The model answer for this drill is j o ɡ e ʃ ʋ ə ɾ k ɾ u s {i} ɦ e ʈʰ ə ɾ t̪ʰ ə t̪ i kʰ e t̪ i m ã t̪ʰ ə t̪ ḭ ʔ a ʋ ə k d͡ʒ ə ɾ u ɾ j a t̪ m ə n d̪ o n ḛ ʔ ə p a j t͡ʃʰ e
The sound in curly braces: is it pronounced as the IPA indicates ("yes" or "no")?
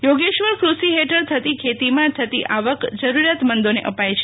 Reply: yes